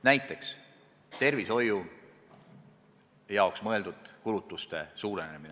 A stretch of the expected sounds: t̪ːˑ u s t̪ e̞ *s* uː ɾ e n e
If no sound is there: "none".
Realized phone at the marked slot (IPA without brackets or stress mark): s